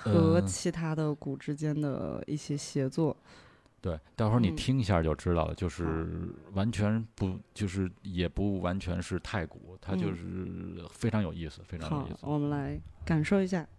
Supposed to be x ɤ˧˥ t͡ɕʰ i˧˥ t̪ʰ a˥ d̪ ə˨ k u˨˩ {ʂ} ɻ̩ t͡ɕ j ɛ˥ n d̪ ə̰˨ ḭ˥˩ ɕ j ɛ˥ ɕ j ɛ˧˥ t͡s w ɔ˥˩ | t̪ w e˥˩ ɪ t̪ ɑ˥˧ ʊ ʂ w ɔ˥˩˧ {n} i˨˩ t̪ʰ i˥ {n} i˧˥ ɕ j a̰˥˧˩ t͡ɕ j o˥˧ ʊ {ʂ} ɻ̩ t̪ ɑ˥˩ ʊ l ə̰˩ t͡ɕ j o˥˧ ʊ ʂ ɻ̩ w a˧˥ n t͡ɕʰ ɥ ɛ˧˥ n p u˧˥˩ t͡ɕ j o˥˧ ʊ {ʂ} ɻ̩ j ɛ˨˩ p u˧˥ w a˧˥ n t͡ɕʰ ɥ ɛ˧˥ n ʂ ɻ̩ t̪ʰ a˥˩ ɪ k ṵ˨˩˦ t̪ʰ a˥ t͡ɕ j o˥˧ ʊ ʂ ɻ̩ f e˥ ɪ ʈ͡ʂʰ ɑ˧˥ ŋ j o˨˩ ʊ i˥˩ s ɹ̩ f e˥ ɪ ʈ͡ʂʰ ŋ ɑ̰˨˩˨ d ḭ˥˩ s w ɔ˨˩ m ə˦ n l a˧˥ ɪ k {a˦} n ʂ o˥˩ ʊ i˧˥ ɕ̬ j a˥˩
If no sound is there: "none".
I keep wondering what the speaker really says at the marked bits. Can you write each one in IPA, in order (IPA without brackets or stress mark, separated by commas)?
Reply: ʈ͡ʂ, n, ŋ, ʈ͡ʂ, ʂ, a˨˩